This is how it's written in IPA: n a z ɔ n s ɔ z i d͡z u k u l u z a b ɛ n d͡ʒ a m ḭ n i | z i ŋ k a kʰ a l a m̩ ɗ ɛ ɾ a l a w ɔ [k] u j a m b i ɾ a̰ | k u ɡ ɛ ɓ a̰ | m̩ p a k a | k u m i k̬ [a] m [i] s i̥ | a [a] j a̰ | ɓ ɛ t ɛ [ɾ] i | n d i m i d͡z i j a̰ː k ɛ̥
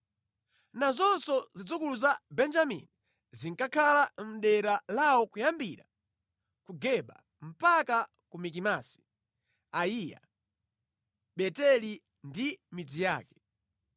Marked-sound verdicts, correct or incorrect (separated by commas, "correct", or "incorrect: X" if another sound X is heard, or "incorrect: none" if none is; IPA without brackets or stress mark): correct, incorrect: i, incorrect: a, incorrect: i, incorrect: l